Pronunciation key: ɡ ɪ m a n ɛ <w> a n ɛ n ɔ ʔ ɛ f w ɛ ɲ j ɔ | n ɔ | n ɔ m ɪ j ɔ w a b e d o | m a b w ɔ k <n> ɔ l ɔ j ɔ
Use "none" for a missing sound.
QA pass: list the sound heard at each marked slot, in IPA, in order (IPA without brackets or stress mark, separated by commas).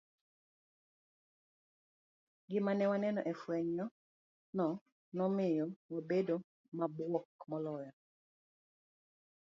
w, m